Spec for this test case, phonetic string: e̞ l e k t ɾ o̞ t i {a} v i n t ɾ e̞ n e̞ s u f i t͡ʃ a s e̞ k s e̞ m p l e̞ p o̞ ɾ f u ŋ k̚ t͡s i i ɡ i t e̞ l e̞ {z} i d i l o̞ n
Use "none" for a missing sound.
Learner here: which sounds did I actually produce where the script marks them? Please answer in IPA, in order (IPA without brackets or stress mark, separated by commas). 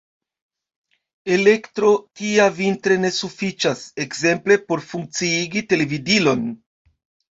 a, v